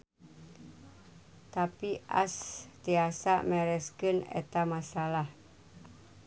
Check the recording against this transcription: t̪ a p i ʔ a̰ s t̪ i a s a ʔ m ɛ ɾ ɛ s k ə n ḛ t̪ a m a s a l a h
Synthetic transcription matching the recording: t̪ a p i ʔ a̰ s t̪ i a s a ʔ m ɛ ɾ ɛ s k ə n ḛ t̪ a m a s a l a h